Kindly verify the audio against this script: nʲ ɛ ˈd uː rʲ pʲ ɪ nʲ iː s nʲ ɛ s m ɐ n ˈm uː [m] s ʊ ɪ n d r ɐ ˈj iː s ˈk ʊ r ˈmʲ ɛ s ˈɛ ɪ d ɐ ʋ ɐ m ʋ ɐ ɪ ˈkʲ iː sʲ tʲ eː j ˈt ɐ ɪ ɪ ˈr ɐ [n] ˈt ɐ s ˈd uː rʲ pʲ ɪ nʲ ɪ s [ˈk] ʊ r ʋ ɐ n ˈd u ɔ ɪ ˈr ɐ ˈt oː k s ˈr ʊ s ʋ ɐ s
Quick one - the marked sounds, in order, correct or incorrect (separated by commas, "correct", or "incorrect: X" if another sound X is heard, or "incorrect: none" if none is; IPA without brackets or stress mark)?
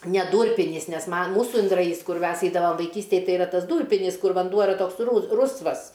incorrect: none, incorrect: none, correct